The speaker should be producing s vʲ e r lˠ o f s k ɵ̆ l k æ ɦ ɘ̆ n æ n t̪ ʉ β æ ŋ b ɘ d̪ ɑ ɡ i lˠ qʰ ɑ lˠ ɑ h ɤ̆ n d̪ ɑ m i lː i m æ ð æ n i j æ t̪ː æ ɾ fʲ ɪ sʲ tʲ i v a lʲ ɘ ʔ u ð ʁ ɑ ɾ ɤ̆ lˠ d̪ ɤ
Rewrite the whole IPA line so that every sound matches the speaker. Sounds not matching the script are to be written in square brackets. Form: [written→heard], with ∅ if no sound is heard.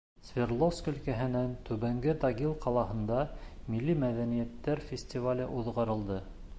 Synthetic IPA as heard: s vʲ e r lˠ o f s k ɵ̆ l k æ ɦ ɘ̆ n æ n t̪ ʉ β æ ŋ [b→ɡ] ɘ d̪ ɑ ɡ i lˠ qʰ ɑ lˠ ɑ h ɤ̆ n d̪ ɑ m i lː i m æ ð æ n i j æ t̪ː æ ɾ fʲ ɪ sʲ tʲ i v a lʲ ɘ ʔ u ð ʁ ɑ ɾ ɤ̆ lˠ d̪ ɤ